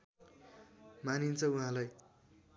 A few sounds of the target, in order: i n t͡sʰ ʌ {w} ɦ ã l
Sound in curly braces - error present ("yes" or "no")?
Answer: yes